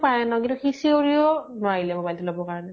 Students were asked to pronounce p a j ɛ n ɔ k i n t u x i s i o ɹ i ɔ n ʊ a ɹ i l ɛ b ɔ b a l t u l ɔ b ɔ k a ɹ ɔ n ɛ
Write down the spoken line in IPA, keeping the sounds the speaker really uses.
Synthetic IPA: p a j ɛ n ɔ k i n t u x i s i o ɹ i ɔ n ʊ a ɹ i l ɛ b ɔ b a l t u l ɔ b ɔ k a ɹ ɔ n ɛ